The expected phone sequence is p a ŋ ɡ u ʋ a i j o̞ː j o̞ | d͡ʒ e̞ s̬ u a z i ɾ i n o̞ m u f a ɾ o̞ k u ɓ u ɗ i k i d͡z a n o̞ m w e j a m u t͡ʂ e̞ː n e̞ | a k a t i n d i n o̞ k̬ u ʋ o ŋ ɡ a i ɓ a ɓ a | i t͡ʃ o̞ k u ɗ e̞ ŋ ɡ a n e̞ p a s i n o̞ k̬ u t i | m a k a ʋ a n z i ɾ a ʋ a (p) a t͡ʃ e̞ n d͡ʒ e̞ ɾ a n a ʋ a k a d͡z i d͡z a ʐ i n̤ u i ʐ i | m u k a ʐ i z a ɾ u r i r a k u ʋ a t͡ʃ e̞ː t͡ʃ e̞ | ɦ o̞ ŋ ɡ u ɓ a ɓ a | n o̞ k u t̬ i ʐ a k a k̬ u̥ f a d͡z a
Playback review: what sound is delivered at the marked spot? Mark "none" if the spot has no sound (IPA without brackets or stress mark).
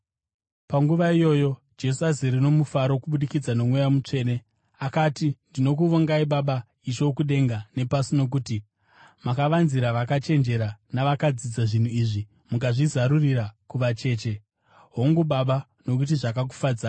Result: k